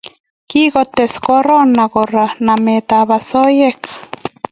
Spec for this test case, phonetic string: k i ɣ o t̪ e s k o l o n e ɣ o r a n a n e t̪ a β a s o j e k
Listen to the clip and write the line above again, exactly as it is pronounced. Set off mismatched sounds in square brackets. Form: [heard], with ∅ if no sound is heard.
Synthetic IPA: k i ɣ o t̪ e s k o [ɾ] o n [a] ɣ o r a n a [m] e t̪ a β a s o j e k